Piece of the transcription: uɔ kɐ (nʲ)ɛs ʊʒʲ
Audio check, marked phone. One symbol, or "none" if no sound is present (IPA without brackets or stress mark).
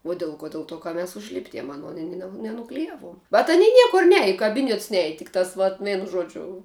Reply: mʲ